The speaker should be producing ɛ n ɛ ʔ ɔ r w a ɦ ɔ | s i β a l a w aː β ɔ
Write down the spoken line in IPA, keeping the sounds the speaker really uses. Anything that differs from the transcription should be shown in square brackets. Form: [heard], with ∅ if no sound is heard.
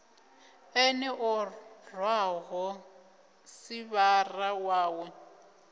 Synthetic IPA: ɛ n ɛ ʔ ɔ r w a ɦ ɔ | s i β a [r] a w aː [w] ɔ